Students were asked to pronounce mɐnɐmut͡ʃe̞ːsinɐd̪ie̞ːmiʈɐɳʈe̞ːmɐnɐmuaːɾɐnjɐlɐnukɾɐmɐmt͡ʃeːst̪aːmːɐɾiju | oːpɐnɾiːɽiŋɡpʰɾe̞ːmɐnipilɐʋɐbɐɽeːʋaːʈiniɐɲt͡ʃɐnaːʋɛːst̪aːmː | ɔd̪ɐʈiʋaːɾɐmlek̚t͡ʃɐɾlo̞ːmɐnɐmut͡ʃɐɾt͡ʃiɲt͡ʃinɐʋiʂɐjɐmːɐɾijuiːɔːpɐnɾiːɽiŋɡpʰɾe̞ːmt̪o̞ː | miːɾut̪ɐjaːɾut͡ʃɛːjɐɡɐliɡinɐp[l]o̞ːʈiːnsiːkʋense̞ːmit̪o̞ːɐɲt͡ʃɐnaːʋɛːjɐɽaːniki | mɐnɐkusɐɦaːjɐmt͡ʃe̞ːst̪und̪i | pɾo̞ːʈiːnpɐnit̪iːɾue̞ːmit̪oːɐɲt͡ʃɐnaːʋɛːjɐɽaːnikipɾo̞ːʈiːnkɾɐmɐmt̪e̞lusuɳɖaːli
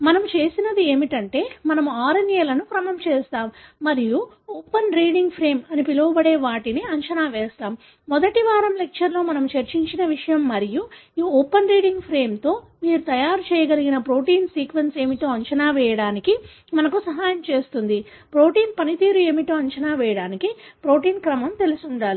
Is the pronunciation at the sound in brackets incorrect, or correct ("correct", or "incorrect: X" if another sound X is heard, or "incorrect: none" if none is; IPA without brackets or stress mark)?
incorrect: ɾ